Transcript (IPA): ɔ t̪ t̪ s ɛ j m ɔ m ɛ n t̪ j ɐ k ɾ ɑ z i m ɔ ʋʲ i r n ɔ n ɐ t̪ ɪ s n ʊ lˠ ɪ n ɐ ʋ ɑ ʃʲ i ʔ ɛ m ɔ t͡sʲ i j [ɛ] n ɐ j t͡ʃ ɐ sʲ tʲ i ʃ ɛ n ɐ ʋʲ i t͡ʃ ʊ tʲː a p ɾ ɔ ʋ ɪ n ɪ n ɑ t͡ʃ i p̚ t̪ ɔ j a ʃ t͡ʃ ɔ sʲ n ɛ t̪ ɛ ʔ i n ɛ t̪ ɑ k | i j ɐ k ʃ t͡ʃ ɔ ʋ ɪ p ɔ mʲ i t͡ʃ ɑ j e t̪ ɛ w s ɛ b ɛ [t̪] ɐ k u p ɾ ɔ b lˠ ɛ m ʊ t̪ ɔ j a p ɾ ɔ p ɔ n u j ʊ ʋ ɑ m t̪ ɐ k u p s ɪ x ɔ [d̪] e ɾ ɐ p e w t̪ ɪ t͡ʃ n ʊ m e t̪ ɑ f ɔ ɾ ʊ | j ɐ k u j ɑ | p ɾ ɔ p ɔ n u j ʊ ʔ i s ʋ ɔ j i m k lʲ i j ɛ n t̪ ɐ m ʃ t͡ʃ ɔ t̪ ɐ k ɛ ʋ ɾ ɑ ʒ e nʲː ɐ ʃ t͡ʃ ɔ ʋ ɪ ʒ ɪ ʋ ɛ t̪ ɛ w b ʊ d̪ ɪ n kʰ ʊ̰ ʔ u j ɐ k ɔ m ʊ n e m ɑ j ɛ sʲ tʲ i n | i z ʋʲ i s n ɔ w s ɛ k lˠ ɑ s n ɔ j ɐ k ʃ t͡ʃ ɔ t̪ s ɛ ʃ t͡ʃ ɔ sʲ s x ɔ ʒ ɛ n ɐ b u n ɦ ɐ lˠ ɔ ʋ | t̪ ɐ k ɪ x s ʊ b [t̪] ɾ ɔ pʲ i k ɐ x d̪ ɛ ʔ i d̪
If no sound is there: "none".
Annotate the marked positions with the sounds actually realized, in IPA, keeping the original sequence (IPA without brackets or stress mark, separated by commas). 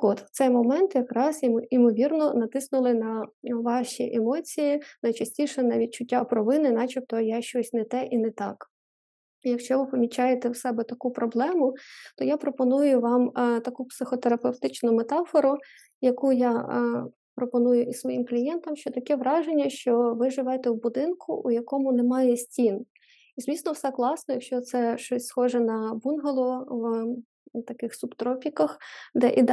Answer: i, t̪, t̪, t̪